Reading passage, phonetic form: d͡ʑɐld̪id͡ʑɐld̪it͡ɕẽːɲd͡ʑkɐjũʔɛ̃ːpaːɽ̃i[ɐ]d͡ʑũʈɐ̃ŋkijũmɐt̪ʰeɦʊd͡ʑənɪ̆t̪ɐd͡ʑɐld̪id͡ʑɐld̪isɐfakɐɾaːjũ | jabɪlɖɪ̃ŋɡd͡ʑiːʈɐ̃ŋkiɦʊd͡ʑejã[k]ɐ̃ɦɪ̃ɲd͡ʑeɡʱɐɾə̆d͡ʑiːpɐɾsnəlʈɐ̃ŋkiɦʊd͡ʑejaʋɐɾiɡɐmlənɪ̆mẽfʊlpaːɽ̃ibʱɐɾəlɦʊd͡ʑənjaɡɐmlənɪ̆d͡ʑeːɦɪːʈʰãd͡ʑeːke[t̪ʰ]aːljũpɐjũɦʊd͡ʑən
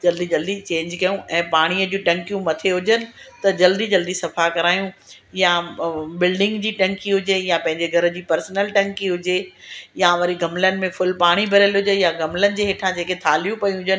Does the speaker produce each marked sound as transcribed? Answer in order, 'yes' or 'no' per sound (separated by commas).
no, no, yes